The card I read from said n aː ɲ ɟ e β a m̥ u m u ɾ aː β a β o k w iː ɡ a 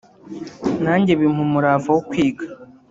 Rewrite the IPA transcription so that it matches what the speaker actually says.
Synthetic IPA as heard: n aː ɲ ɟ e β i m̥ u m u ɾ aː v a w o k w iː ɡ a